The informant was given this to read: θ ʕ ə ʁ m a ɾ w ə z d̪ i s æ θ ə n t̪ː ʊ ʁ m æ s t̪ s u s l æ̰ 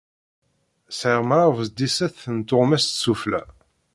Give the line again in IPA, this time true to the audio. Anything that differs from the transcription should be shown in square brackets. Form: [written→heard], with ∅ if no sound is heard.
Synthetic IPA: [θ→s] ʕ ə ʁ m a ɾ [w→v] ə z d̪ i s æ θ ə n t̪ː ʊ ʁ m æ s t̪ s u [s→f] l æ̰